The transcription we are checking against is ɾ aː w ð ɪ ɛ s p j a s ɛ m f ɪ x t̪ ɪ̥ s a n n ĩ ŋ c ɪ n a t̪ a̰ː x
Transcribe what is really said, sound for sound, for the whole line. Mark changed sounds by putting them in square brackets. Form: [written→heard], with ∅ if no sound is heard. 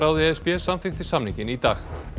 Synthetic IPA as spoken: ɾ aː w ð ɪ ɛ s p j [a→ɛ] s [ɛ→a] m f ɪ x t̪ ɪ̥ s a [n→m] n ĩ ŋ c ɪ n [a→i] t̪ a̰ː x